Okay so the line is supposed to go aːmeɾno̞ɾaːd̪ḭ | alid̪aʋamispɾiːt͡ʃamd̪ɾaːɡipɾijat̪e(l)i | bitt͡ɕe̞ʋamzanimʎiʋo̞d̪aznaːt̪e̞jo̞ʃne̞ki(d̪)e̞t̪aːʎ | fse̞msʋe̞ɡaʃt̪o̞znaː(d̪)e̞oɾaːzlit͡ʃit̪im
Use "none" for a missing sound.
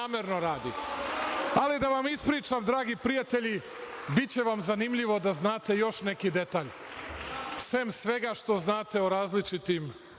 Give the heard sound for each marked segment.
ʎ, d̪, t̪

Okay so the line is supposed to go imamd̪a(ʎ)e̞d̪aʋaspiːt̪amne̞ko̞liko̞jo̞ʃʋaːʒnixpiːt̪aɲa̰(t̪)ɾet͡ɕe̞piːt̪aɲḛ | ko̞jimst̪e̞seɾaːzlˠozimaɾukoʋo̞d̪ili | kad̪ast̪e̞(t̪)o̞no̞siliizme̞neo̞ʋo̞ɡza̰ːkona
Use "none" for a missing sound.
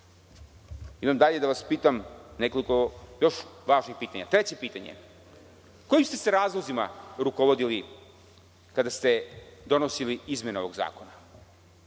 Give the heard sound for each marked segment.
ʎ, t̪, d̪

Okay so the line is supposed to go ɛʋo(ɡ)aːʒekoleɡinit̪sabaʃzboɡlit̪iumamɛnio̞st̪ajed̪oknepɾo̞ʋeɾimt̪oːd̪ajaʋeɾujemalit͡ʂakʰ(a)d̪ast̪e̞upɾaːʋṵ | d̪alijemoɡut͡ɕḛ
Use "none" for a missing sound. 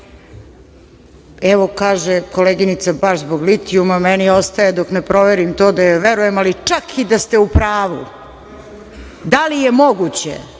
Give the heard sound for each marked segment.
k, i

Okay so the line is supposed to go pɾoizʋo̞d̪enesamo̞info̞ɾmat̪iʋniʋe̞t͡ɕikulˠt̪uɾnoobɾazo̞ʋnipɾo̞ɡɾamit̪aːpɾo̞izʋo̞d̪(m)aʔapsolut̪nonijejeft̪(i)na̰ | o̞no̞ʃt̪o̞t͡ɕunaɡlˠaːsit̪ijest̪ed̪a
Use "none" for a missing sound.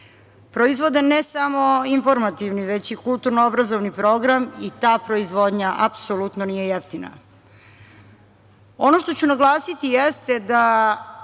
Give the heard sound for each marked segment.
ɲ, i

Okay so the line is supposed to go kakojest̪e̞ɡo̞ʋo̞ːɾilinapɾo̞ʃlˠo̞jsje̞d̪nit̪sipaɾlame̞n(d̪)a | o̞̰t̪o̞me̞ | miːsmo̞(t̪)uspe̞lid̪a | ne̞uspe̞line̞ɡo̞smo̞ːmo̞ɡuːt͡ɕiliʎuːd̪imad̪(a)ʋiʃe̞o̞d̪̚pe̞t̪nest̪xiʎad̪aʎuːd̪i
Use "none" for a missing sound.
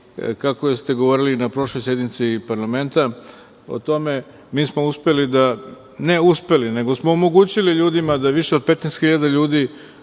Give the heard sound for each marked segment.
t̪, none, a

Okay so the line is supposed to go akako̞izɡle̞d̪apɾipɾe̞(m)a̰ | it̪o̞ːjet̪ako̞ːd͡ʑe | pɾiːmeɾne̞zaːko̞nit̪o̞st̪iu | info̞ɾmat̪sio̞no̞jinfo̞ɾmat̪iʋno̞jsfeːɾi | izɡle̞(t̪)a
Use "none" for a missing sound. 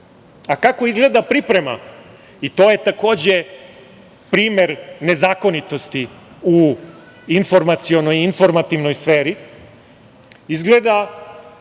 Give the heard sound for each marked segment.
m, d̪

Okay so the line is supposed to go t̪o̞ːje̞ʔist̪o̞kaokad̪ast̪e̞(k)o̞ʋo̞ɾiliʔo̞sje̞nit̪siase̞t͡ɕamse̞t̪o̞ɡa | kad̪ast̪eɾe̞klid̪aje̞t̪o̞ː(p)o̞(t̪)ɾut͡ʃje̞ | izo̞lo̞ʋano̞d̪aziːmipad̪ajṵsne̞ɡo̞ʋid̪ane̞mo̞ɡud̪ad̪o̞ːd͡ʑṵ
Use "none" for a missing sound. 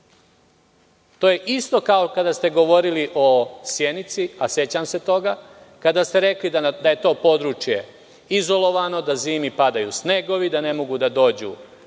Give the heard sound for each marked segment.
ɡ, p, d̪

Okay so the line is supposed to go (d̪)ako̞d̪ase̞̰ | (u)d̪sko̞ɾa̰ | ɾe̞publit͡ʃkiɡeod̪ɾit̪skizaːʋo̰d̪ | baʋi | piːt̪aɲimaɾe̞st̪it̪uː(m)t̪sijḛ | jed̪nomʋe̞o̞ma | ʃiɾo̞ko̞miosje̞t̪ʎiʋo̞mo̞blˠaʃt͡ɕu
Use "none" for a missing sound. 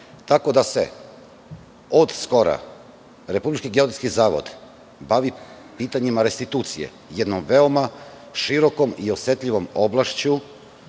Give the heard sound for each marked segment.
t̪, o, none

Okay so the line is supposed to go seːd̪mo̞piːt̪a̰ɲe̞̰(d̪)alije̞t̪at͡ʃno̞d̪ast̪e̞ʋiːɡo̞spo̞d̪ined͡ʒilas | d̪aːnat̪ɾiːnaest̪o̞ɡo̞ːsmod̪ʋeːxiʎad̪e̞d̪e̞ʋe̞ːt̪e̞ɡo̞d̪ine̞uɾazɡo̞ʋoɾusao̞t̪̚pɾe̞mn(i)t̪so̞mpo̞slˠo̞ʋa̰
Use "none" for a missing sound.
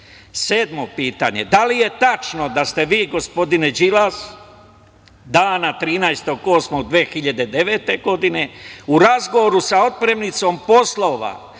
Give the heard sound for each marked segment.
d̪, i

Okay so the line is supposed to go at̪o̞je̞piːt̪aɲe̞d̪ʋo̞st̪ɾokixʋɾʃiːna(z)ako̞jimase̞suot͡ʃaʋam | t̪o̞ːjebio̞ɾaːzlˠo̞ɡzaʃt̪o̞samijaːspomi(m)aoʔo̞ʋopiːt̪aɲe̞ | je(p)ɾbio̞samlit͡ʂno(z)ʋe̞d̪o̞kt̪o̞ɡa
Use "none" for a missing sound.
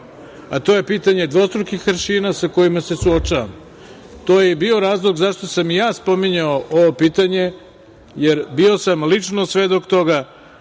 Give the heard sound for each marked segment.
s, ɲ, none, s

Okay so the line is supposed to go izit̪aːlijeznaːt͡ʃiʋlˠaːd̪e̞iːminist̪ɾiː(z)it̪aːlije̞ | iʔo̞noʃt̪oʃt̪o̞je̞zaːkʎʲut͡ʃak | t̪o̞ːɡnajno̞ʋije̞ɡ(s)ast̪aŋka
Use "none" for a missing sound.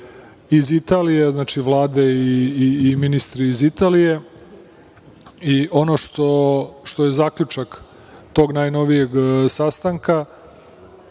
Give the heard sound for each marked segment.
z, s

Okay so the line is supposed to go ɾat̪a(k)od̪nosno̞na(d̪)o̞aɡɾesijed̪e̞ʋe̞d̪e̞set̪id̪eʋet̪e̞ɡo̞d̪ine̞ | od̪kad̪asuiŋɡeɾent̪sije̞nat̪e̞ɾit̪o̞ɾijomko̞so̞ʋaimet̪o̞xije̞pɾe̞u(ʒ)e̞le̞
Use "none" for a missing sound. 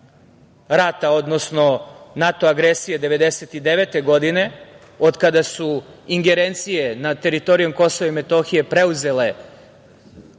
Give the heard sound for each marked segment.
none, t̪, z

